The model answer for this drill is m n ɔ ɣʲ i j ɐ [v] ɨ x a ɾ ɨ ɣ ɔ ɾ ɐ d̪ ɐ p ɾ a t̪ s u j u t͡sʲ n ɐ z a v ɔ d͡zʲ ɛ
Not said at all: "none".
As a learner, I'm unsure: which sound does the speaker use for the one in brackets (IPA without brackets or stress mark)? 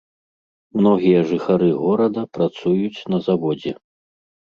ʐ